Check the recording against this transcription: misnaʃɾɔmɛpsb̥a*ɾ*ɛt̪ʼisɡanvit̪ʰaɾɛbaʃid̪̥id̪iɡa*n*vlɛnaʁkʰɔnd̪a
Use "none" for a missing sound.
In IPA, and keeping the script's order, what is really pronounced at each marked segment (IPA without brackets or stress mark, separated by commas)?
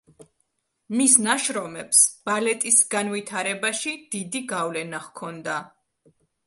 l, none